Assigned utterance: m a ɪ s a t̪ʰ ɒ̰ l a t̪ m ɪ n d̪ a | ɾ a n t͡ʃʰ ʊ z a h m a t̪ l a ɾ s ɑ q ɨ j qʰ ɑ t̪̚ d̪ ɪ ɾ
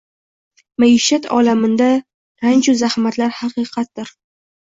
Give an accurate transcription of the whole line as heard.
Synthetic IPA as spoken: m a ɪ ʃ a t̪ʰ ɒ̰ l a m ɪ n d̪ a | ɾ a n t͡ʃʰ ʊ z a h m a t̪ l a ɾ h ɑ q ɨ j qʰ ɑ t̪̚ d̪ ɪ ɾ